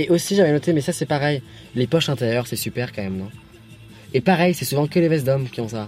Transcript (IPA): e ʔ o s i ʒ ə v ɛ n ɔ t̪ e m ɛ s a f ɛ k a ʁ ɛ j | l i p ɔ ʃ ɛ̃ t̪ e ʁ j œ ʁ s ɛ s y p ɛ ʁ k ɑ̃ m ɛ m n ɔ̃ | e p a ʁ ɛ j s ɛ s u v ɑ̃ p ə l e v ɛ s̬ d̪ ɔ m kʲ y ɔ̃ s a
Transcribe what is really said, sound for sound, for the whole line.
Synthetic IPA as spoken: e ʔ o s i ʒ a v ɛ n ɔ t̪ e m ɛ s a s ɛ p a ʁ ɛ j | l e p ɔ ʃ ɛ̃ t̪ e ʁ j œ ʁ s ɛ s y p ɛ ʁ k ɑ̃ m ɛ m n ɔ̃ | e p a ʁ ɛ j s ɛ s u v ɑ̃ k ə l e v ɛ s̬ d̪ ɔ m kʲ i ɔ̃ s a